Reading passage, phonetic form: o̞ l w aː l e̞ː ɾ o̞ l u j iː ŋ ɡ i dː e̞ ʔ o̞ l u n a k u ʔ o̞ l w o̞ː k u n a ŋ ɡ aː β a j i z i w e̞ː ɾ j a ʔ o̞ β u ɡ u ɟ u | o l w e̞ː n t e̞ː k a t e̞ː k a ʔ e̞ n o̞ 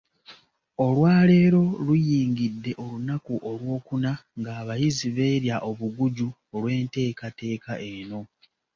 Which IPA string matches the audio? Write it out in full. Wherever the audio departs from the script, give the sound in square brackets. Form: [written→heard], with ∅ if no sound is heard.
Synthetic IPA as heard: o̞ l w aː l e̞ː ɾ o̞ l u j iː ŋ ɡ i dː e̞ ʔ o̞ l u n a k u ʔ o̞ l w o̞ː k u n a ŋ ɡ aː β a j i z i [w→β] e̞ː ɾ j a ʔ o̞ β u ɡ u ɟ u | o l w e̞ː n t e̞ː k a t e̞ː k a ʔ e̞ n o̞